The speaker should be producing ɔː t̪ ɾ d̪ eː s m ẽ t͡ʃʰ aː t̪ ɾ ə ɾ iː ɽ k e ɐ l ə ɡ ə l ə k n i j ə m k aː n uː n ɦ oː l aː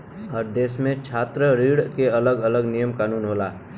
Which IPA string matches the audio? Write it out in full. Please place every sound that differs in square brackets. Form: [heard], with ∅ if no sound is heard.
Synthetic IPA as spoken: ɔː [∅] ɾ d̪ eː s m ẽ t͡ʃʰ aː t̪ ɾ ə ɾ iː ɽ k e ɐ l ə ɡ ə l ə [ɡ] n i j ə m k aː n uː n ɦ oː l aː